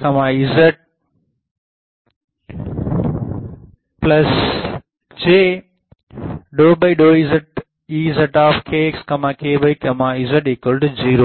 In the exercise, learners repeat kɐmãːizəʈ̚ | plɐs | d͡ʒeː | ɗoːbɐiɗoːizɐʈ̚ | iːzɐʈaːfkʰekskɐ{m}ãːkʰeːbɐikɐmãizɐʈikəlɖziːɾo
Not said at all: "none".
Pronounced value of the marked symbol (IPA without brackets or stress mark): m